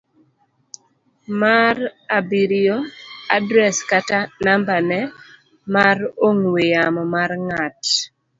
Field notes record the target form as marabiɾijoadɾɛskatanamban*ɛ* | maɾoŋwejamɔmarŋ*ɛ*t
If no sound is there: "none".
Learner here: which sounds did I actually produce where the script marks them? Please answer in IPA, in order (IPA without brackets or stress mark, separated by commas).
ɛ, a